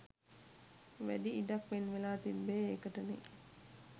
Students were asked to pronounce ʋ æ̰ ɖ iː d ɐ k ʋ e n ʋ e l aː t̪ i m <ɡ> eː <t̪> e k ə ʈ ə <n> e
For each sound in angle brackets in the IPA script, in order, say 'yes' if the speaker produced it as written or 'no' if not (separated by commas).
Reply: no, no, yes